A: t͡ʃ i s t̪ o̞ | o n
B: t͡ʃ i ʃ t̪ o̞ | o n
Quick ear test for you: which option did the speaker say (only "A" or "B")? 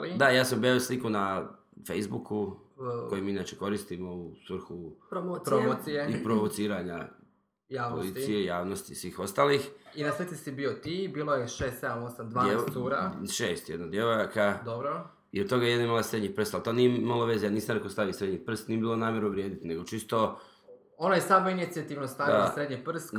A